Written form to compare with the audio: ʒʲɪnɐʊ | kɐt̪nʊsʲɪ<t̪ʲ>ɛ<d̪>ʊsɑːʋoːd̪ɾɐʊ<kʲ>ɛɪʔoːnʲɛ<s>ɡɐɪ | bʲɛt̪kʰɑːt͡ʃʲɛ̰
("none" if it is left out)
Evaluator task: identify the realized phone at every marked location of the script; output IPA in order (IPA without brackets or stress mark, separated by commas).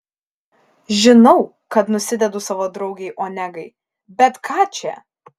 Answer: d̪ʲ, d̪, ɡʲ, none